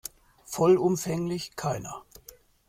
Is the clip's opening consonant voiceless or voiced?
voiceless